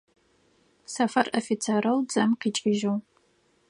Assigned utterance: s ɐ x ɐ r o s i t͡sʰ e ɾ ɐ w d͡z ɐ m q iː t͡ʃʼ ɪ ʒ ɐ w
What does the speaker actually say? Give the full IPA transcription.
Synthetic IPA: s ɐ f ɐ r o f i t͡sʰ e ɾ ɐ w d͡z ɐ m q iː t͡ʃʼ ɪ ʒ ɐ w